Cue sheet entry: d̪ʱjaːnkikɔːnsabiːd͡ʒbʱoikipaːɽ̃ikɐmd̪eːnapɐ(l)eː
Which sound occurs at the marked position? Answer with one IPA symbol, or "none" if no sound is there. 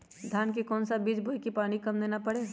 ɽ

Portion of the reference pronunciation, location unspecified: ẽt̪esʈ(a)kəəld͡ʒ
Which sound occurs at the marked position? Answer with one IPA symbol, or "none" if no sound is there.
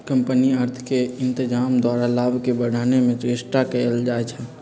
a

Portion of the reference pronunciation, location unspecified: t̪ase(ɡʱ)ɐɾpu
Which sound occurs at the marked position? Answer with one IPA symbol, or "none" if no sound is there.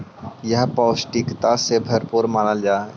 bʱ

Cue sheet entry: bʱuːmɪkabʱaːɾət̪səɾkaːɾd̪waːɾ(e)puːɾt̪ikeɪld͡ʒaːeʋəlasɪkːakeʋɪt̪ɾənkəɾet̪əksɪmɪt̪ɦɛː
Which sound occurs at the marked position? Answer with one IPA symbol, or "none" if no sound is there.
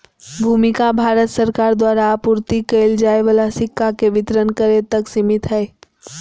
a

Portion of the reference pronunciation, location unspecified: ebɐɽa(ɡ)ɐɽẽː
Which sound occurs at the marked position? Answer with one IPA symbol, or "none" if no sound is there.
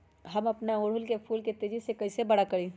k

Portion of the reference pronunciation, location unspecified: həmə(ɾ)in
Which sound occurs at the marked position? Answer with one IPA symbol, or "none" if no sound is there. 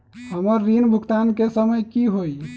ɾː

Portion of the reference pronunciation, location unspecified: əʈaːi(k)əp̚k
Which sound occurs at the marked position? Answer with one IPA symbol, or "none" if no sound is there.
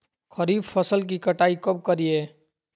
k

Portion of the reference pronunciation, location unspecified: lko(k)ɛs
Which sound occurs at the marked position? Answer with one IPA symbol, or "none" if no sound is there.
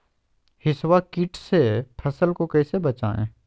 k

